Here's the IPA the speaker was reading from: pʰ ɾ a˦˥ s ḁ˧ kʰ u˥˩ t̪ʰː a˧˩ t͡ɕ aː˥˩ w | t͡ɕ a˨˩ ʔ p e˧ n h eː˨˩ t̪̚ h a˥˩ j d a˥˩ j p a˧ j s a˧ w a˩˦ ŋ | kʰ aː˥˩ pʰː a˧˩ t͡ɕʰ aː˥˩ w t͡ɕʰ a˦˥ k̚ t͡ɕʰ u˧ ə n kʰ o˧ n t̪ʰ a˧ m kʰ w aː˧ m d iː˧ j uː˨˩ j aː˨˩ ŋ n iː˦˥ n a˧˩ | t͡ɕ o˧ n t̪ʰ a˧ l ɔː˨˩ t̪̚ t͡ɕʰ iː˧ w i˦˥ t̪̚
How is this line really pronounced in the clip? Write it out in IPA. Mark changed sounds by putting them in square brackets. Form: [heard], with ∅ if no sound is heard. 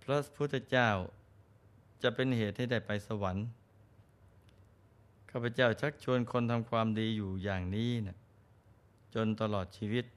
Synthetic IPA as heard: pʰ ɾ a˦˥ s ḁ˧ [pʰ] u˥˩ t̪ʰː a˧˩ t͡ɕ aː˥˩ w | t͡ɕ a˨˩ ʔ p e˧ n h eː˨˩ t̪̚ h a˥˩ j d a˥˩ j p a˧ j s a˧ w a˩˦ [n] | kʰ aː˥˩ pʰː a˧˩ [t͡ɕ] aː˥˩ w t͡ɕʰ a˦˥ k̚ t͡ɕʰ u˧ ə n kʰ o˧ n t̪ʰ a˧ m kʰ w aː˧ m d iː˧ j uː˨˩ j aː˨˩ ŋ n iː˦˥ n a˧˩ | t͡ɕ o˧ n [t̪] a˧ l ɔː˨˩ t̪̚ t͡ɕʰ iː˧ w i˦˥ t̪̚